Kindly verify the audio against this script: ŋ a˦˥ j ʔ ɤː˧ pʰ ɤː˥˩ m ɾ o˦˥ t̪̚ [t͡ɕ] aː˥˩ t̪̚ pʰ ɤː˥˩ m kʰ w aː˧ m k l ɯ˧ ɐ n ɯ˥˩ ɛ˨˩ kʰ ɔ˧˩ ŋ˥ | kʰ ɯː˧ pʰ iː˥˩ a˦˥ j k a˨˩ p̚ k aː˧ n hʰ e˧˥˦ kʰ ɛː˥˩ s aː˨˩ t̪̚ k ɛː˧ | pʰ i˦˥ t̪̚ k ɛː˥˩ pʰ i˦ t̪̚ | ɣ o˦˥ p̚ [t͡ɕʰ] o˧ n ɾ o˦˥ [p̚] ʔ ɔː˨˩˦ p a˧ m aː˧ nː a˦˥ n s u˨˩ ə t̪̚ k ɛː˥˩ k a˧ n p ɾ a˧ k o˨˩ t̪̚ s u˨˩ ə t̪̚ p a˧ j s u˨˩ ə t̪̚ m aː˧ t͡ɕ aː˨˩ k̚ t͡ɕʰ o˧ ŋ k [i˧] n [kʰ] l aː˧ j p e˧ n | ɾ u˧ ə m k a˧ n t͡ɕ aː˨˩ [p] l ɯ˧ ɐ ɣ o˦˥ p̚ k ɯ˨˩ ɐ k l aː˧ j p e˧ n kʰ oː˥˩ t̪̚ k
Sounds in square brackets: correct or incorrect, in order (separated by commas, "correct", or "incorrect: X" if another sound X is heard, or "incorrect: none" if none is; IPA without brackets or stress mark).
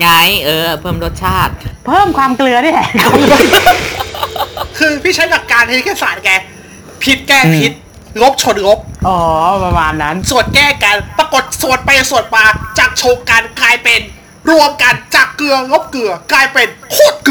incorrect: t͡ɕʰ, correct, correct, incorrect: a˧, incorrect: k, incorrect: k